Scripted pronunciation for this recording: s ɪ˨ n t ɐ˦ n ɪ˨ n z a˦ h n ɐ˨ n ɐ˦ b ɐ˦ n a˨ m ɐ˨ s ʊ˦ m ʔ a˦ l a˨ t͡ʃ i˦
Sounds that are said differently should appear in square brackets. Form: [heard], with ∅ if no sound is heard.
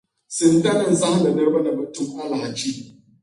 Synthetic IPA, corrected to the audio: s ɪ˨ n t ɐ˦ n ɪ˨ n z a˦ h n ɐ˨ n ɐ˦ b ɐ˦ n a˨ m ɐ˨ [t] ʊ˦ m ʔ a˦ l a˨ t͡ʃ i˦